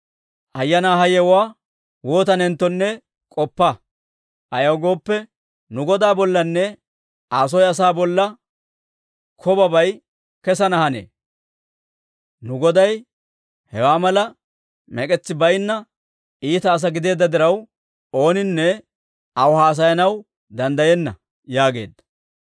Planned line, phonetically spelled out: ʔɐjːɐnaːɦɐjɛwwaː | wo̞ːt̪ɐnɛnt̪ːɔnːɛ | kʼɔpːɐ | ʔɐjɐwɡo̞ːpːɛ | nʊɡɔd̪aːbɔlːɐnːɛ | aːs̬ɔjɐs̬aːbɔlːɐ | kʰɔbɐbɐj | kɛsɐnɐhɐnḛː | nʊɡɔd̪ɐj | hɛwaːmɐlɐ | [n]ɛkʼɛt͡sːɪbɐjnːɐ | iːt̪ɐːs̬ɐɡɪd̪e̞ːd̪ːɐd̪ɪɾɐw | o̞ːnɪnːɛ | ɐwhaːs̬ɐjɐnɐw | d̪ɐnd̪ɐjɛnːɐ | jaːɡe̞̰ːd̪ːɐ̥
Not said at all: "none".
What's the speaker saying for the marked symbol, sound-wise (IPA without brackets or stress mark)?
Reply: m